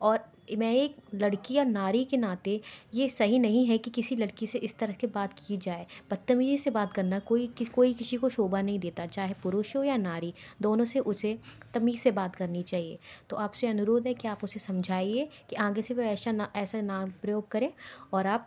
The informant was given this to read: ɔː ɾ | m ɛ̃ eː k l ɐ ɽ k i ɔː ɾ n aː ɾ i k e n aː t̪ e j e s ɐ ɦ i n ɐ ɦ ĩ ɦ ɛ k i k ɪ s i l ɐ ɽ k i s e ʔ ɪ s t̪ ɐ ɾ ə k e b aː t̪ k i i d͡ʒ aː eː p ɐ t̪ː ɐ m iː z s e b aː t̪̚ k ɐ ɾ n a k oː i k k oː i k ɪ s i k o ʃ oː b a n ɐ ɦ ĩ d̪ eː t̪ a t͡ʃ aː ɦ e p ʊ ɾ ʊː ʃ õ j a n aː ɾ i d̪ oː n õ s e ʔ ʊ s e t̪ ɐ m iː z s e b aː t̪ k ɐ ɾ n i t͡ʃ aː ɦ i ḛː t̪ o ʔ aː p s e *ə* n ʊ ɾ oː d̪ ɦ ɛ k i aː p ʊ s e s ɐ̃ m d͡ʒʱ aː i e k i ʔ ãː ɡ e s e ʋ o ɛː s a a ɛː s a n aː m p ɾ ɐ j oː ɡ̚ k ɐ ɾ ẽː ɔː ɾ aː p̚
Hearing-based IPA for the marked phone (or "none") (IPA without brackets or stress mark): ɐ